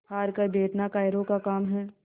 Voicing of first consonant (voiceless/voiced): voiced